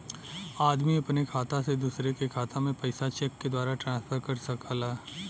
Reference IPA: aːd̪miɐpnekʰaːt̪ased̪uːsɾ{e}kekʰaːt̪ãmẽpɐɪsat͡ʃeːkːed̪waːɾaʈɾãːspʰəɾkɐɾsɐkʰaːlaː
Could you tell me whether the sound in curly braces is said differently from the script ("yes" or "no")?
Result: no